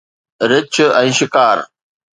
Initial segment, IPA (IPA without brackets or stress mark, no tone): ɾ